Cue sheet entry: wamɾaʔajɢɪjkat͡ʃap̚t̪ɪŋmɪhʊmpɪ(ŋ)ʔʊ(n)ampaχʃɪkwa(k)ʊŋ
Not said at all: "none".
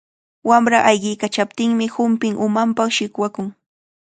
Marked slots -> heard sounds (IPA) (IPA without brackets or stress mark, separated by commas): ŋ, m, k